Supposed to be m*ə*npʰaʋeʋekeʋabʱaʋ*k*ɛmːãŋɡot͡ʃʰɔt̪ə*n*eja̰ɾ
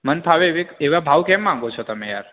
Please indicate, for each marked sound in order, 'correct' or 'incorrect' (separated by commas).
correct, correct, incorrect